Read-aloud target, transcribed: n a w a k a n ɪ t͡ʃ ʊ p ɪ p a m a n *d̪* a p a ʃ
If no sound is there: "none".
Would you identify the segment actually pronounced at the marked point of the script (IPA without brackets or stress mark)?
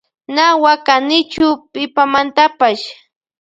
t̪